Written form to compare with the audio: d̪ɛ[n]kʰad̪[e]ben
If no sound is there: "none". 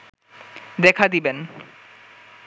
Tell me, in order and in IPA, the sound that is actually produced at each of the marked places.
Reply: none, i

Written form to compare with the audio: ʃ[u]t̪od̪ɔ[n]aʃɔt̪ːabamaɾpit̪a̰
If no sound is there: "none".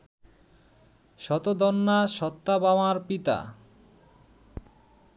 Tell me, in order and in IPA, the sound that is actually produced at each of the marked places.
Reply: ɔ, nː

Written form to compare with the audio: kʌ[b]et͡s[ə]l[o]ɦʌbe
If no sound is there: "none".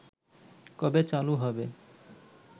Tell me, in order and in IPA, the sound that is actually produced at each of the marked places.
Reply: b, a, u

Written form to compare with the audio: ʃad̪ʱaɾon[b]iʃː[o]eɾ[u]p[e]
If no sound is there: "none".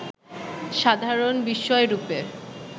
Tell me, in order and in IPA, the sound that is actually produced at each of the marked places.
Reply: b, ɔ, u, e

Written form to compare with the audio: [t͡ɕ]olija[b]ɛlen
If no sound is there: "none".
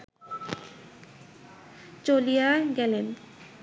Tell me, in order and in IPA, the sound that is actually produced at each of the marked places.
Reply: t͡ɕ, ɡ

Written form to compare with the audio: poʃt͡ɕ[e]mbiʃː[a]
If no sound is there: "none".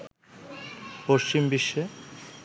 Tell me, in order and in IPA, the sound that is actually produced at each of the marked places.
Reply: i, e

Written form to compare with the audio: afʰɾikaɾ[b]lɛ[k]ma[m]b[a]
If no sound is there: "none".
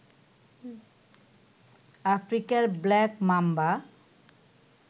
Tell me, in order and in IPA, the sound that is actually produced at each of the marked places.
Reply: b, k, m, a

